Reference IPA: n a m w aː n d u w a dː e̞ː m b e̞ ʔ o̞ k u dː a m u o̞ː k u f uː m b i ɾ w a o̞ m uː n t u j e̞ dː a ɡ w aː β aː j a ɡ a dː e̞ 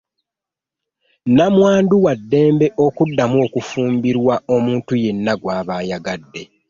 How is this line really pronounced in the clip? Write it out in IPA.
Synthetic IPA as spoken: n a m w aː n d u w a dː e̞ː m b e̞ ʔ o̞ k u dː a m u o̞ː k u f uː m b i ɾ w a o̞ m uː n t u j e̞ nː a ɡ w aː β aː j a ɡ a dː e̞